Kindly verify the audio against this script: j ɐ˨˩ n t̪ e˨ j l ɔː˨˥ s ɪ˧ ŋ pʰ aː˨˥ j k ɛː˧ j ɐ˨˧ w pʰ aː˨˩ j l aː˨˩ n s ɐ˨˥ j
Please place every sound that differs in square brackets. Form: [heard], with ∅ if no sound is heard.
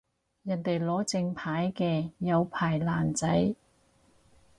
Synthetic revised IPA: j ɐ˨˩ n t̪ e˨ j l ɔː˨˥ [t͡s] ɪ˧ ŋ pʰ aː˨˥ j k ɛː˧ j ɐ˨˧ w pʰ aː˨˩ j l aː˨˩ n [t͡s] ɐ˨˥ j